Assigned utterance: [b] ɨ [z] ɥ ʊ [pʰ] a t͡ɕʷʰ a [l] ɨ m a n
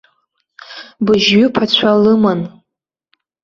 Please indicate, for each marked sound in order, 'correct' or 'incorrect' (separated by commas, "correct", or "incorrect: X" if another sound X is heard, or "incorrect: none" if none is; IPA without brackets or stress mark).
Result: correct, incorrect: ʒ, correct, correct